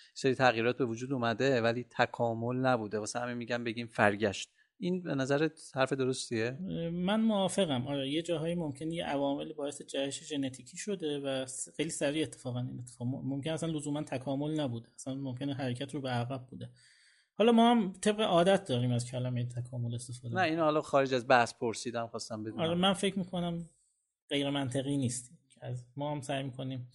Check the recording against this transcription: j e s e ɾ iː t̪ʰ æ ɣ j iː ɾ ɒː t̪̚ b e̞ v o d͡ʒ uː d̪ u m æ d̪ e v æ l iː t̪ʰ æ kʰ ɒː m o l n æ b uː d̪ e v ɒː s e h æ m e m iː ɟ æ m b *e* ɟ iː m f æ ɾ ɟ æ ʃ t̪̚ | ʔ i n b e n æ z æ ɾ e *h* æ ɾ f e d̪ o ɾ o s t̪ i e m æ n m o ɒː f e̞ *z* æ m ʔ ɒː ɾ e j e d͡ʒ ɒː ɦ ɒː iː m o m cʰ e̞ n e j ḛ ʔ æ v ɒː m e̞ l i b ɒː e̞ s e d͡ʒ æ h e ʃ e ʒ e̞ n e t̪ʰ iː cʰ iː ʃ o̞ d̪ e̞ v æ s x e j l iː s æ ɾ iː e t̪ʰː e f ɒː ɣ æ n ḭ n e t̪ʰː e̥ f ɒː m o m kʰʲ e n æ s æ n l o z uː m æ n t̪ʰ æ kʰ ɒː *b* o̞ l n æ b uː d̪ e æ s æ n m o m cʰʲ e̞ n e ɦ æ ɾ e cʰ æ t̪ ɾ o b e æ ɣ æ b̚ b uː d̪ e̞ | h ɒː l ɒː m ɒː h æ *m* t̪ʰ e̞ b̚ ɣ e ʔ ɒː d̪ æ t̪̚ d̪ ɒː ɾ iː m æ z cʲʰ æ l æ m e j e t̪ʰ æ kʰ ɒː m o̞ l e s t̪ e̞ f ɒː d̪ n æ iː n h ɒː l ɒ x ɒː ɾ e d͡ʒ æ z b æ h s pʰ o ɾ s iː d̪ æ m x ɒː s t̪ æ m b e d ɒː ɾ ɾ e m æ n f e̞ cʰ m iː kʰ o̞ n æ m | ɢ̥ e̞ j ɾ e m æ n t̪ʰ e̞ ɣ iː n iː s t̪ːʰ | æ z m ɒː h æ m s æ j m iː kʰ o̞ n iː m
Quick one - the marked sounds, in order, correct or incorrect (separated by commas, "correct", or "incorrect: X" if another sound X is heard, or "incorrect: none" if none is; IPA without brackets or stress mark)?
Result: correct, correct, incorrect: ɣ, incorrect: m, correct